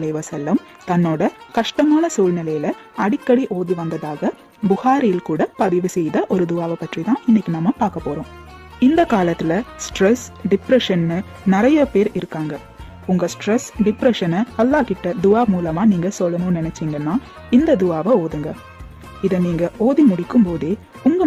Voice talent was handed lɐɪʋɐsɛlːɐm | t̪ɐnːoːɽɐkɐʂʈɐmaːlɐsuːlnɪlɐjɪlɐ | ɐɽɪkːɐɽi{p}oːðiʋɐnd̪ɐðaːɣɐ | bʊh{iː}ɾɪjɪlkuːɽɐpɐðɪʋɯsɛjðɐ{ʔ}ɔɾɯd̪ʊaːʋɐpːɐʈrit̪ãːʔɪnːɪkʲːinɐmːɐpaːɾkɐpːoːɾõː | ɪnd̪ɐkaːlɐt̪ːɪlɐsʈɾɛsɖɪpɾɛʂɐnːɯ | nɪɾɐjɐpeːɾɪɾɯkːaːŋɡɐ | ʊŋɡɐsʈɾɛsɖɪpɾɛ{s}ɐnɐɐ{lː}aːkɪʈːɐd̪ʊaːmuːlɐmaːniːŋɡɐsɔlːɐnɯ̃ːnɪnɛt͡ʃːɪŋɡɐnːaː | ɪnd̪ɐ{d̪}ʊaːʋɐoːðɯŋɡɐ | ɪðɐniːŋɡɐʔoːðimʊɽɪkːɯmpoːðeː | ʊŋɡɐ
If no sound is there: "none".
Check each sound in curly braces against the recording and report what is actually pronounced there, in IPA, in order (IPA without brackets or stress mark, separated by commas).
ʔ, aː, ʔ, ʂ, lː, d̪